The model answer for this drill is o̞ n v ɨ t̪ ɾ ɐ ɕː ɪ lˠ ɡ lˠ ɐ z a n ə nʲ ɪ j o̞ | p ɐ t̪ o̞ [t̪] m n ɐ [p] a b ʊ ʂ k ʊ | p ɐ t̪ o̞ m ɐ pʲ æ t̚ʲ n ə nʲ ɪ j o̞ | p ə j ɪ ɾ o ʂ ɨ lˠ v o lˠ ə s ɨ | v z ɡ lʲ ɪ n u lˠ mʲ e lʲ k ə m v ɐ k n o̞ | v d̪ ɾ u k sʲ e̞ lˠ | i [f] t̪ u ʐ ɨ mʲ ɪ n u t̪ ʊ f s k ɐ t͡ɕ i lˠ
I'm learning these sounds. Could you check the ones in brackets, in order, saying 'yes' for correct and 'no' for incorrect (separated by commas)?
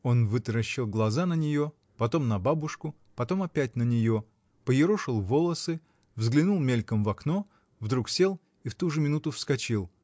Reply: no, no, yes